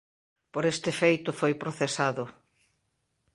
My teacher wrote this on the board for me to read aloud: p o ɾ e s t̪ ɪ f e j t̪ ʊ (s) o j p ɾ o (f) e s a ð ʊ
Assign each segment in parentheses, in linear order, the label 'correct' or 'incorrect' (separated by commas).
incorrect, incorrect